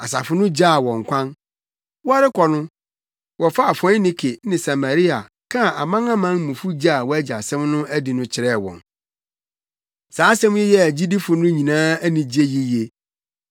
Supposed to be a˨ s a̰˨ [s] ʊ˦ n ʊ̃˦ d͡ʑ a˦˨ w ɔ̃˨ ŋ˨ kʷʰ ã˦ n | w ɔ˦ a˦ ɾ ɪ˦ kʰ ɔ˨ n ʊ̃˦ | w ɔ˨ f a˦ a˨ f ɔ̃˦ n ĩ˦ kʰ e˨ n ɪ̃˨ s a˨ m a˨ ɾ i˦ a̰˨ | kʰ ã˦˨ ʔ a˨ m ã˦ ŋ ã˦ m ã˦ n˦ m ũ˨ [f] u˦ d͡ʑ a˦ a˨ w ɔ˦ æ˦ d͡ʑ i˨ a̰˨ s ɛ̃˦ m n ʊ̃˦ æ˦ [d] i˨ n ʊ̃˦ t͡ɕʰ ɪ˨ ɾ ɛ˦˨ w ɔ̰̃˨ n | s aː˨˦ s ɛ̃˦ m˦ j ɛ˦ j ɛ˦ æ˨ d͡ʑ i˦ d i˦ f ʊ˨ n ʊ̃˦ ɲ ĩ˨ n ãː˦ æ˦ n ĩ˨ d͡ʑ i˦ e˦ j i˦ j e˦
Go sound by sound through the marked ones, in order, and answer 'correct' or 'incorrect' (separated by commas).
incorrect, correct, correct